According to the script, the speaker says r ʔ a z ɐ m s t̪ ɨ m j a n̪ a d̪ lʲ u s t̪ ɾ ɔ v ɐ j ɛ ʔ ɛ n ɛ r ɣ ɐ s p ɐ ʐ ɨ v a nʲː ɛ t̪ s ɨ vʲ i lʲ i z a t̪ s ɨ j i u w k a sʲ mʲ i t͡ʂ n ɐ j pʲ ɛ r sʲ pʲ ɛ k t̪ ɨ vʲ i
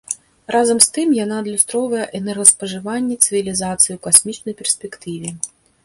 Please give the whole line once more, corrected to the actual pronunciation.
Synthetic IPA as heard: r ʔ a z ɐ m s t̪ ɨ m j a n̪ a d̪ lʲ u s t̪ ɾ ɔ v ɐ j ɛ ʔ ɛ n ɛ r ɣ ɐ s p ɐ ʐ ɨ v a nʲː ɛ t̪ s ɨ vʲ i lʲ i z a t̪ s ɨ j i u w k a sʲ mʲ i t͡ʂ n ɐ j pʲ ɛ r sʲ pʲ ɛ k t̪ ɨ vʲ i